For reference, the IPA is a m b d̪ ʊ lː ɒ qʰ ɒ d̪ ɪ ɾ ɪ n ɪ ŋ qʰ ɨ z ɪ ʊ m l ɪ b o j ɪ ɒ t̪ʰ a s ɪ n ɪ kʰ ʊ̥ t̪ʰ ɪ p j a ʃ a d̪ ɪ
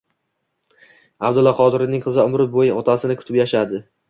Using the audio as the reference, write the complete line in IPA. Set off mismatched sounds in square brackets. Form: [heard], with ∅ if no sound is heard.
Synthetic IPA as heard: a [∅] b d̪ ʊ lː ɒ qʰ ɒ d̪ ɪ ɾ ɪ n ɪ ŋ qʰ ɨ z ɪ ʊ m [ɾ] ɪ b o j ɪ ɒ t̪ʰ a s ɪ n ɪ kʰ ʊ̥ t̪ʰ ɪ p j a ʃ a d̪ ɪ